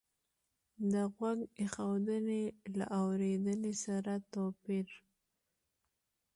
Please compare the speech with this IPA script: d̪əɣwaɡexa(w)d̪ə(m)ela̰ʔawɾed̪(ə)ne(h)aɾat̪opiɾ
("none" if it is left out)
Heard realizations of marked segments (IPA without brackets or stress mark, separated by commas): w, n, ə, s